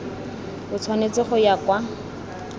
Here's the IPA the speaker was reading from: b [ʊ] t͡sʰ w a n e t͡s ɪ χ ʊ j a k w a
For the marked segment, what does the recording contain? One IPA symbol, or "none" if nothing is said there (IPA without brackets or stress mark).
ʊ